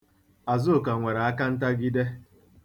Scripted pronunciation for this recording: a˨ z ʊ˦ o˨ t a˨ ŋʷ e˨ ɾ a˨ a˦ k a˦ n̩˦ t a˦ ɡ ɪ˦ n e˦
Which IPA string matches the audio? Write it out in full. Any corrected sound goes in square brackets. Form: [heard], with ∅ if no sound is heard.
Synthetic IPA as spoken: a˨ z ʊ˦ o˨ [k] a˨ ŋʷ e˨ ɾ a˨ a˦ k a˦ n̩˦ t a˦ ɡ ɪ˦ [d] e˦